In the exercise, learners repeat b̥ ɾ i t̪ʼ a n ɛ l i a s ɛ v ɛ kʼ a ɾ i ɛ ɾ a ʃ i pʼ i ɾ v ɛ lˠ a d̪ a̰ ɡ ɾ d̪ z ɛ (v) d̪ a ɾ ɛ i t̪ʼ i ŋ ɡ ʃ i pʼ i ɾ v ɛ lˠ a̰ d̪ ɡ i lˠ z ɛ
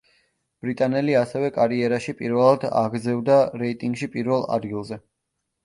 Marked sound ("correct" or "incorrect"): correct